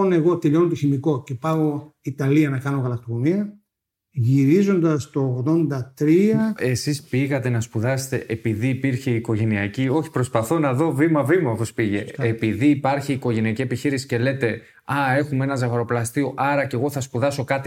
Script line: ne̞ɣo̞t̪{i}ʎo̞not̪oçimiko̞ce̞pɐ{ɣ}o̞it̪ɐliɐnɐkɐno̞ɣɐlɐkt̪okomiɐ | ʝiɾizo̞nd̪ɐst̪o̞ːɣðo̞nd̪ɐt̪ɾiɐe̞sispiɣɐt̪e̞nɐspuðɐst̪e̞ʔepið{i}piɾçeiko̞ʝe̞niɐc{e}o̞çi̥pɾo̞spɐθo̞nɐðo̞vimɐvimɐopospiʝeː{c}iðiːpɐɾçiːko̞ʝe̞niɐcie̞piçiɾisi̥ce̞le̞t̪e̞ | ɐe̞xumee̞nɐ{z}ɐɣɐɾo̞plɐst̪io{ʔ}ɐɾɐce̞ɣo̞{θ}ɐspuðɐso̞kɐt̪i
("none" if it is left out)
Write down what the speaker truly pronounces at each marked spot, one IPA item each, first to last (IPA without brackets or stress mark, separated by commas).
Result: e, ɣ, iː, i, p, z, ʔ, θ